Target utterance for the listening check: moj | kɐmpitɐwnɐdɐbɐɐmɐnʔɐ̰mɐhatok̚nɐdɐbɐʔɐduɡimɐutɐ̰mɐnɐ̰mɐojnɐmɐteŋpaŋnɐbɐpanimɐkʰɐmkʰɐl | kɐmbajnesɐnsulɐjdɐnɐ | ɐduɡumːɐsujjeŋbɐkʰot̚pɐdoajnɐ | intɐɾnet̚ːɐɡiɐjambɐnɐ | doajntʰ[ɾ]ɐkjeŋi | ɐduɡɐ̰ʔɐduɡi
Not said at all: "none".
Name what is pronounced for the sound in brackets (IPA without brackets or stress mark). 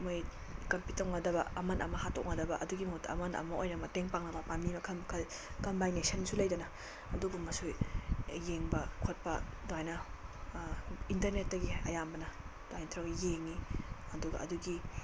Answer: ɾ